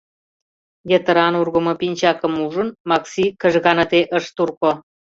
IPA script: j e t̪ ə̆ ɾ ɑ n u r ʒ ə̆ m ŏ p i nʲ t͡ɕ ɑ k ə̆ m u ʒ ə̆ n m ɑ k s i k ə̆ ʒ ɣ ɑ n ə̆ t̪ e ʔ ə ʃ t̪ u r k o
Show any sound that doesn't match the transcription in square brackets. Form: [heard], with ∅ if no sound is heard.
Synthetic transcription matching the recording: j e t̪ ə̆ ɾ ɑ n u r [ɣ] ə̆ m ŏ p i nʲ t͡ɕ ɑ k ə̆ m u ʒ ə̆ n m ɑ k s i k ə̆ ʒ ɣ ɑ n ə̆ t̪ e ʔ ə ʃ t̪ u r k o